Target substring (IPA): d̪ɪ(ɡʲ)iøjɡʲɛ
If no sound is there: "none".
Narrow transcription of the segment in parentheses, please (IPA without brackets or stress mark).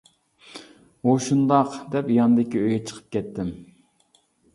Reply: kʲ